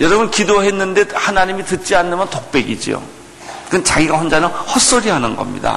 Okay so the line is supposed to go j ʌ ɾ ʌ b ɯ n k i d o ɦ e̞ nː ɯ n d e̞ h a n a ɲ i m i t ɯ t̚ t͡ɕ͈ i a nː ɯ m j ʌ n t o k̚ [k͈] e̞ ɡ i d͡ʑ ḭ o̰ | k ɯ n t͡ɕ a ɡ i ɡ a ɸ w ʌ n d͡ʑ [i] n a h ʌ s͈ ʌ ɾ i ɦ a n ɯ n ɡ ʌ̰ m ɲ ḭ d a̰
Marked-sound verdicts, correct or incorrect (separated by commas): incorrect, incorrect